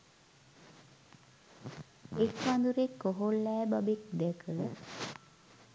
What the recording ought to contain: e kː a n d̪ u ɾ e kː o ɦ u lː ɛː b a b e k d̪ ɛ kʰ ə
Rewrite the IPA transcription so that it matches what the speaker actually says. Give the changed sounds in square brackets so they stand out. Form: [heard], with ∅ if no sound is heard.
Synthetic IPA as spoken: e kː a n d̪ u ɾ e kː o ɦ [o] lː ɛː b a b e k d̪ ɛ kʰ ə